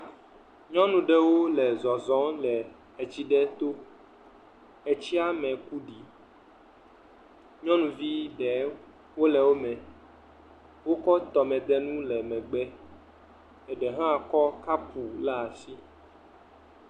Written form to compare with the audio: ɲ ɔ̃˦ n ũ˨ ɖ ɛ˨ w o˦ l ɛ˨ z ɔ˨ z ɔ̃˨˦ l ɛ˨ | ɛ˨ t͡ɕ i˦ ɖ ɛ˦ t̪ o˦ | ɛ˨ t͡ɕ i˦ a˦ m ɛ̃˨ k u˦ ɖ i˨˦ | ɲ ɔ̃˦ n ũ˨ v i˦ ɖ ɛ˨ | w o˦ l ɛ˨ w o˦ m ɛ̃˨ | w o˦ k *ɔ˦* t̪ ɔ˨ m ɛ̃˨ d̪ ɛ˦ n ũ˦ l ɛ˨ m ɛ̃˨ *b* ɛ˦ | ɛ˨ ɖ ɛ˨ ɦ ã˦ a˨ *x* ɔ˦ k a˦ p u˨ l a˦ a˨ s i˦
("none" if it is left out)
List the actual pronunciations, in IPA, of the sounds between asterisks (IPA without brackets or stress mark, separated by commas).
ɔ˦, ɡ͡b, k